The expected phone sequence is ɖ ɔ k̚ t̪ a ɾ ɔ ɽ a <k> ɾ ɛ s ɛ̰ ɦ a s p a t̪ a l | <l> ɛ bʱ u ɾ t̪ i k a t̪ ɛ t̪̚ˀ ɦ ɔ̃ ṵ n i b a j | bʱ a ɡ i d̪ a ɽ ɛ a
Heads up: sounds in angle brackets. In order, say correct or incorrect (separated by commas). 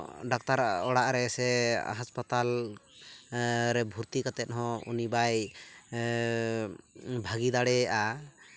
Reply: incorrect, incorrect